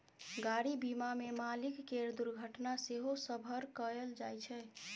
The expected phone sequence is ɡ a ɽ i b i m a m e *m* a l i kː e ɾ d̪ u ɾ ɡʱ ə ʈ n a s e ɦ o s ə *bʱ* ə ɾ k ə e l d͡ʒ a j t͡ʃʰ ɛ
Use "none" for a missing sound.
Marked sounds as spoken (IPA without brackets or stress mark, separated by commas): m, bʱ